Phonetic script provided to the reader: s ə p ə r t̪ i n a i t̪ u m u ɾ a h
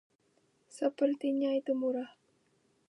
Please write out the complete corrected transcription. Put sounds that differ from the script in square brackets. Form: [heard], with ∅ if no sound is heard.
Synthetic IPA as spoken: s ə p ə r t̪ i [ɲ] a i t̪ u m u ɾ a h